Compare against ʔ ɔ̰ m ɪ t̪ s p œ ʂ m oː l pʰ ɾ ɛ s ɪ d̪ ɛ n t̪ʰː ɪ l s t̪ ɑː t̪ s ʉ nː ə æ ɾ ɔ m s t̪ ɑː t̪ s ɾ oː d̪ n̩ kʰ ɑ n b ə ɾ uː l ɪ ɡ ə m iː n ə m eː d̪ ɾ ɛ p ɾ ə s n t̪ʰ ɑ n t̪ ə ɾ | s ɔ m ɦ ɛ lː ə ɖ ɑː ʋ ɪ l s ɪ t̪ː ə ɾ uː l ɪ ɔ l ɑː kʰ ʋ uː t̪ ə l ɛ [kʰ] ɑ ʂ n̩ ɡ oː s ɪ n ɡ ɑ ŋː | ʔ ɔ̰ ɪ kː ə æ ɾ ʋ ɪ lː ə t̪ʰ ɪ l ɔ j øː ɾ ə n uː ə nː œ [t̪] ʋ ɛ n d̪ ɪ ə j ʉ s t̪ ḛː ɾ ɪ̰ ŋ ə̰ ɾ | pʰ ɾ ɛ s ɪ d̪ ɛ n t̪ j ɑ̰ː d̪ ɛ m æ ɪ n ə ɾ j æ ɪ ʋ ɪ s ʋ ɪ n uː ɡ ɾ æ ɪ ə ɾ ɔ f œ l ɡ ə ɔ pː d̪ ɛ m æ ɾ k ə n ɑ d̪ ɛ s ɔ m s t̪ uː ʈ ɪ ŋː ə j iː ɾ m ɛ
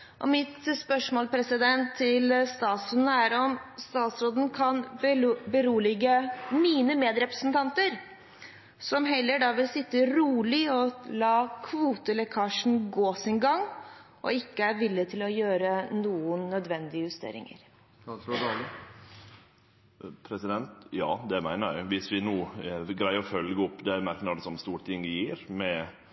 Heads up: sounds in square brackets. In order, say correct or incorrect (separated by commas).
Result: correct, incorrect